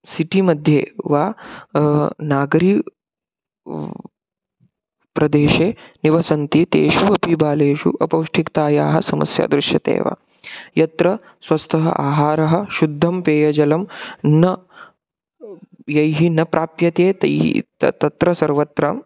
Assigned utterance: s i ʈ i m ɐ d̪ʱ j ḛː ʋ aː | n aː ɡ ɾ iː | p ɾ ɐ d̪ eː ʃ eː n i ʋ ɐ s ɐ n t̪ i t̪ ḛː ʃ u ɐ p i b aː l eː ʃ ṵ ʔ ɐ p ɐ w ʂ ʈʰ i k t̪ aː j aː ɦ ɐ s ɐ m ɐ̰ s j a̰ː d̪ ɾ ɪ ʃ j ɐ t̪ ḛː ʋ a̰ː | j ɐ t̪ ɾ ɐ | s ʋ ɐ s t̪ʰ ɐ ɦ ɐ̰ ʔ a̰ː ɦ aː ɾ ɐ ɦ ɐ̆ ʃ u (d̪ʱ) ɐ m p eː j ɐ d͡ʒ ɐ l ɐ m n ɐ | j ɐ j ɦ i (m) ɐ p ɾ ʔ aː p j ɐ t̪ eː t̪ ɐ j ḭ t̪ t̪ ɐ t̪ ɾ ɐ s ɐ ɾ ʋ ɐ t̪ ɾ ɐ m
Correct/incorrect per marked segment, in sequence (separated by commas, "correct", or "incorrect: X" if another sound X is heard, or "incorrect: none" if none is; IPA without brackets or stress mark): incorrect: d̪ʱː, incorrect: n